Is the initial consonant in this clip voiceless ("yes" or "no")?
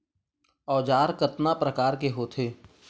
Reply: no